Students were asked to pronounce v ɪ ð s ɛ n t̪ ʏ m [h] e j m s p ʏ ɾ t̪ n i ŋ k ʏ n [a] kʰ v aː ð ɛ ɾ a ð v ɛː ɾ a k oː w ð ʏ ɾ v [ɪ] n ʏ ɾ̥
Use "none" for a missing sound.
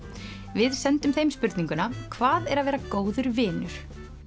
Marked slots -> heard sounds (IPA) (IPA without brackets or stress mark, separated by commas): θ, a, ɪː